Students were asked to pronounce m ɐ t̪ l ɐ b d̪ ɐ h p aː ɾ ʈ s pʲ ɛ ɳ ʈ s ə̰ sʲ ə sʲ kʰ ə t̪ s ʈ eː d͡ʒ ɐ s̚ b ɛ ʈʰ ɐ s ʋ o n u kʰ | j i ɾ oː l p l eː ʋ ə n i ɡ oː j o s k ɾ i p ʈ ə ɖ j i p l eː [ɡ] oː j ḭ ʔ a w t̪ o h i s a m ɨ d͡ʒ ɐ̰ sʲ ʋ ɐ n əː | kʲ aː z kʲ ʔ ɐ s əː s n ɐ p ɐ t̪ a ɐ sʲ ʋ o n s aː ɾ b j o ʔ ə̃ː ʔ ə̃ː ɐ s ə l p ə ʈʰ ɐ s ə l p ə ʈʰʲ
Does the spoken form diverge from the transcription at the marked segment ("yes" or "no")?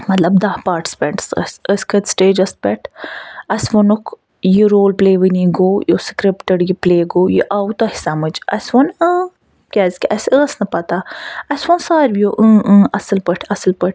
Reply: no